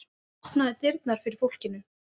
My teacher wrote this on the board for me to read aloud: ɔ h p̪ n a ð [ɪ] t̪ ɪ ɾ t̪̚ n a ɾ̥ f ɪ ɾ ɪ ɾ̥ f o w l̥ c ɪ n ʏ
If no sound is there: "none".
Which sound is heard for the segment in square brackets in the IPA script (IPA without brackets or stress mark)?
ɪ